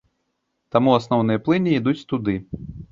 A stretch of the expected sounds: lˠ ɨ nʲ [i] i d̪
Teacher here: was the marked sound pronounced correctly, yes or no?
yes